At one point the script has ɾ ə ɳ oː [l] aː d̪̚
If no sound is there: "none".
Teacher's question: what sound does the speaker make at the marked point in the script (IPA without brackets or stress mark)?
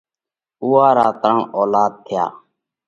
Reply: l